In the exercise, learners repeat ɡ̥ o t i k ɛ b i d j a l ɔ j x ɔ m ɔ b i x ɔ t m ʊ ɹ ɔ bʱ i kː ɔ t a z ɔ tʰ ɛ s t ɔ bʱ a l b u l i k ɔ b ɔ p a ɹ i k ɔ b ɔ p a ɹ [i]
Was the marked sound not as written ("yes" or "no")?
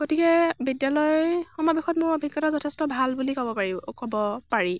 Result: no